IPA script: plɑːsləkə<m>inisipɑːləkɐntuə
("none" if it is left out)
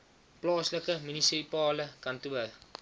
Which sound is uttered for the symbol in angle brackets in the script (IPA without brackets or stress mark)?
m